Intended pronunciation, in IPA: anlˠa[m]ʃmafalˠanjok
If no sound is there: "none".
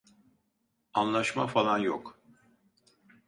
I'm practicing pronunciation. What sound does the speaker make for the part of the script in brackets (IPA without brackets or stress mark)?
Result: none